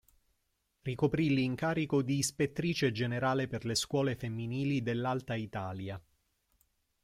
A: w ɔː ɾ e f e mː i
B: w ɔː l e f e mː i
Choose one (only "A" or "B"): B